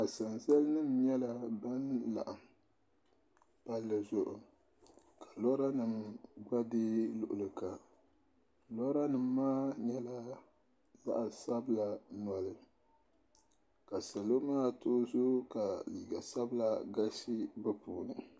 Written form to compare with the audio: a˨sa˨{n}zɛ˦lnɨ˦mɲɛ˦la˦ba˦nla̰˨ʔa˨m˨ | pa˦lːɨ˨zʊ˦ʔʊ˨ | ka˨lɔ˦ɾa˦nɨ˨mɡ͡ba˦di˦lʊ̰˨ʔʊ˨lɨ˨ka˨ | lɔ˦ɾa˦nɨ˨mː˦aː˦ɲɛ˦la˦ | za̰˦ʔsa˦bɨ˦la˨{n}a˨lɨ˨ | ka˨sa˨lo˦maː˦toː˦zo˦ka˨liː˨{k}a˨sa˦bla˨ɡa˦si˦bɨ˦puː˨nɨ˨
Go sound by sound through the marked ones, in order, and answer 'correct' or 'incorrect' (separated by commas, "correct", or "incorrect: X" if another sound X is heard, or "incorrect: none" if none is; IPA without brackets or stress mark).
correct, correct, incorrect: ɡ